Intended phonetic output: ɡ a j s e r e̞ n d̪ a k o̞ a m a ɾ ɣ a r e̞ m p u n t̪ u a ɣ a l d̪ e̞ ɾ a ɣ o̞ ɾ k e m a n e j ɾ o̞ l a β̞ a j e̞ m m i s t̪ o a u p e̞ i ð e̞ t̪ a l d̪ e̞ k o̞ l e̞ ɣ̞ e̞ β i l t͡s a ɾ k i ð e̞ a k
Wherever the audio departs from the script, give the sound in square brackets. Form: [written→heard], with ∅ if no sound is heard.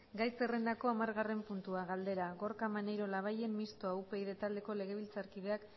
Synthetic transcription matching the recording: ɡ a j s e r e̞ n d̪ a k o̞ a m a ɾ ɣ a r e̞ m p u n t̪ u a ɣ a l d̪ e̞ ɾ a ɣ o̞ ɾ k [e→a] m a n e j ɾ o̞ l a β̞ a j e̞ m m i s t̪ o a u p e̞ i ð e̞ t̪ a l d̪ e̞ k o̞ l e̞ ɣ̞ e̞ β i l t͡s a ɾ k i ð e̞ a k